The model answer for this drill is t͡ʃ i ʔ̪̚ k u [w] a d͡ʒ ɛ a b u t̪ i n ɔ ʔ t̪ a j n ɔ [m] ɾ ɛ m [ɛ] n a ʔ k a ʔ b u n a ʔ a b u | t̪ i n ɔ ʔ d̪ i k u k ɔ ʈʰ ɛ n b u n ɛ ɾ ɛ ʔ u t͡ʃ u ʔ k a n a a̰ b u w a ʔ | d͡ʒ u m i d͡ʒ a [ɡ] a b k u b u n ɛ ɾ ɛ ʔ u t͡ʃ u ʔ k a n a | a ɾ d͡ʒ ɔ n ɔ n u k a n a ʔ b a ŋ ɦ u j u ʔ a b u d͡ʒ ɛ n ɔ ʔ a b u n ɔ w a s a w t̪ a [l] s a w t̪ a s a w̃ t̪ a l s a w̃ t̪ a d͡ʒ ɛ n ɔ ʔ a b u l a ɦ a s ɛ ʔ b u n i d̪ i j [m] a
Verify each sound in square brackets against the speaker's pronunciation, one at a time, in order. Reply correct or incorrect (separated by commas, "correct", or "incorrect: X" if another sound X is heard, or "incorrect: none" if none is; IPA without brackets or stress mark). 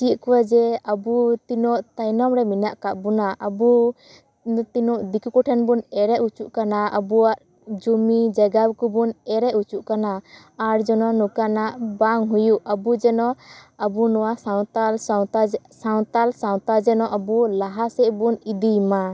correct, correct, incorrect: i, correct, correct, correct